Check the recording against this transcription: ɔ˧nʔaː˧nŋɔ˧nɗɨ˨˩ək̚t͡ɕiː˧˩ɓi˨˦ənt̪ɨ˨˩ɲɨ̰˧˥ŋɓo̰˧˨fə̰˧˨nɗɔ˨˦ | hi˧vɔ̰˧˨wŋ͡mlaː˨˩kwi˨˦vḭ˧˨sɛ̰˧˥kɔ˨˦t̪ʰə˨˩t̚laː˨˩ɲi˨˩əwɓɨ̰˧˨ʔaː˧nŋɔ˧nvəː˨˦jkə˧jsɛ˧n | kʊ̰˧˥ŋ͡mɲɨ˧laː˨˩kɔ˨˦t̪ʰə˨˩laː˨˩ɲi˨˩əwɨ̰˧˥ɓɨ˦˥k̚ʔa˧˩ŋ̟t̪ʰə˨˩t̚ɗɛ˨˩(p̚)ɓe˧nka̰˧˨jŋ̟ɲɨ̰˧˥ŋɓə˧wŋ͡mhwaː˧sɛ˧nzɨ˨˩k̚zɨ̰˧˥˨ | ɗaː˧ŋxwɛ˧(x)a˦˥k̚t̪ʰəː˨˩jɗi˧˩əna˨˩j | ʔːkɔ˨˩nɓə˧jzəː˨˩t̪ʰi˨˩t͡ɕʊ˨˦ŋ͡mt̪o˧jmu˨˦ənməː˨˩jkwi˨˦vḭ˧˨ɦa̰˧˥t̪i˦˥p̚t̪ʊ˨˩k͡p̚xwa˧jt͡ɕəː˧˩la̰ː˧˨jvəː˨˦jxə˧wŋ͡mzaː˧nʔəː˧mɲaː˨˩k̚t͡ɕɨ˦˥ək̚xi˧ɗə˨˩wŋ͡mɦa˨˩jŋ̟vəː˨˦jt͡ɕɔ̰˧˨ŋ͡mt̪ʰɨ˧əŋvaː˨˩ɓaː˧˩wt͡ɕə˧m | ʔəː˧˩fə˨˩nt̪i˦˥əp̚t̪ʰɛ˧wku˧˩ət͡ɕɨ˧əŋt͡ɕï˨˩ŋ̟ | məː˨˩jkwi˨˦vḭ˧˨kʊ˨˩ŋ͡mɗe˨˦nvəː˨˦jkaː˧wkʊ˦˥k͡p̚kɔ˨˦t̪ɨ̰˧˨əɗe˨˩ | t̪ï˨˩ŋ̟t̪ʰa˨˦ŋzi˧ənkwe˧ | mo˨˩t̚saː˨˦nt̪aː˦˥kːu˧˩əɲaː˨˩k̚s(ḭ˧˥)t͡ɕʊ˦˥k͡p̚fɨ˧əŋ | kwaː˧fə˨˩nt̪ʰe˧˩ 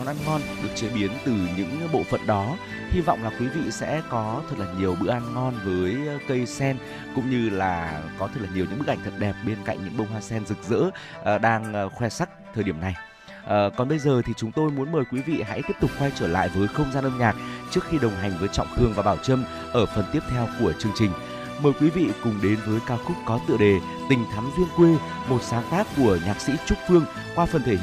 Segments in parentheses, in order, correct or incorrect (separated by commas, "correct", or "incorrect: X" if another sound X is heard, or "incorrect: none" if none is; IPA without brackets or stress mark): correct, incorrect: s, correct